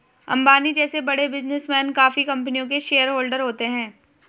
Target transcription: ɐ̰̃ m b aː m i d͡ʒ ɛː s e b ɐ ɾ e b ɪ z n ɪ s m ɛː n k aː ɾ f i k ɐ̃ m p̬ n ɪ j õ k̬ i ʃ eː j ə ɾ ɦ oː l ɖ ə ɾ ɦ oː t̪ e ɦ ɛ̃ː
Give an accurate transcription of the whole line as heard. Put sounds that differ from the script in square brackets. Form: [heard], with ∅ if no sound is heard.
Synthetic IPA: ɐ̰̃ m b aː [n] i d͡ʒ ɛː s e b ɐ [ɽ] e b ɪ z n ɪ s m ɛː n k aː [∅] f i k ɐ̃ m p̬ n [i] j õ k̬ [e] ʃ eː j ə ɾ ɦ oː l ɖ ə ɾ ɦ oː t̪ e ɦ ɛ̃ː